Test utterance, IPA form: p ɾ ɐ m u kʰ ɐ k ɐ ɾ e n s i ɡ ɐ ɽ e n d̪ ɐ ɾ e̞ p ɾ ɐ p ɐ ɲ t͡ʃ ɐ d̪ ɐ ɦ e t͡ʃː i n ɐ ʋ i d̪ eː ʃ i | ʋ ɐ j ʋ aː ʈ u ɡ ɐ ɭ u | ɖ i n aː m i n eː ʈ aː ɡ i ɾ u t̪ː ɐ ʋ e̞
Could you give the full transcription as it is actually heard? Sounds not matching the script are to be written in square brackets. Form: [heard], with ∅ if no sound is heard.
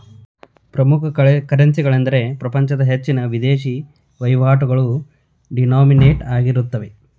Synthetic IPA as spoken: p ɾ ɐ m u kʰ ɐ k ɐ ɾ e n s i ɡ ɐ [ɭ] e n d̪ ɐ ɾ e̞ p ɾ ɐ p ɐ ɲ t͡ʃ ɐ d̪ ɐ ɦ e t͡ʃː i n ɐ ʋ i d̪ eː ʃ i | ʋ ɐ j ʋ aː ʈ u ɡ ɐ ɭ u | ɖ i n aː m i n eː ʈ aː ɡ i ɾ u t̪ː ɐ ʋ e̞